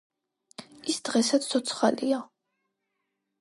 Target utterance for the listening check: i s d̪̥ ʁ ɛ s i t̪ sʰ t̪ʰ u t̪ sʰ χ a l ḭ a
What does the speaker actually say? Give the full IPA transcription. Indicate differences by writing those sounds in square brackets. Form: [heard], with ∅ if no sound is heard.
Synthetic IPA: i s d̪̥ ʁ ɛ s [a] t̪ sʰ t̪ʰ [ɔ] t̪ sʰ χ a l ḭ a